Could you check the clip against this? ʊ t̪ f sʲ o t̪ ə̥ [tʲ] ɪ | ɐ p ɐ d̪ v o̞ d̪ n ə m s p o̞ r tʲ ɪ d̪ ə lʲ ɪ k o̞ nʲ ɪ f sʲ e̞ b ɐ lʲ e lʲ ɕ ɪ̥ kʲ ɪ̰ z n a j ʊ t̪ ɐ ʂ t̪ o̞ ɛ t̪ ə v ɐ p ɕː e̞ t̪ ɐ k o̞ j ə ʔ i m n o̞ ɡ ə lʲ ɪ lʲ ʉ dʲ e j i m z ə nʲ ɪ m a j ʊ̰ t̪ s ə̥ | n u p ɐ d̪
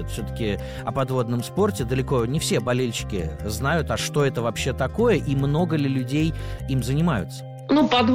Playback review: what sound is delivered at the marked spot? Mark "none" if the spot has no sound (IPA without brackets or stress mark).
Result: kʲ